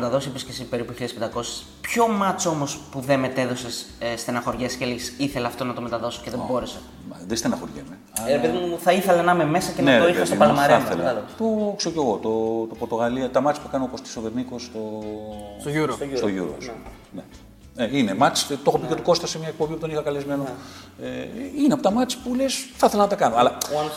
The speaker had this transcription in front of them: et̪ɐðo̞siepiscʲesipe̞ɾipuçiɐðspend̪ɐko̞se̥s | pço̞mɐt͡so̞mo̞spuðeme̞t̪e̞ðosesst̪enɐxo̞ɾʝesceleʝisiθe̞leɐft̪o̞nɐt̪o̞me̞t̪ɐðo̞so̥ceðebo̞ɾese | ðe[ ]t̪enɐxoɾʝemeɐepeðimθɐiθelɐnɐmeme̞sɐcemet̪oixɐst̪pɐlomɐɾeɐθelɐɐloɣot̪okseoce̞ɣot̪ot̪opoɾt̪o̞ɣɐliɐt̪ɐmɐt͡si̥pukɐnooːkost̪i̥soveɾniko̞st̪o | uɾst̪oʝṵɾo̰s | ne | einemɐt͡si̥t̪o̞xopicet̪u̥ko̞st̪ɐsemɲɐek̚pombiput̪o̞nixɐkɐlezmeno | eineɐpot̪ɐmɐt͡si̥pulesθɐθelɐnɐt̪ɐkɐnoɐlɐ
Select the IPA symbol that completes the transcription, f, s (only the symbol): s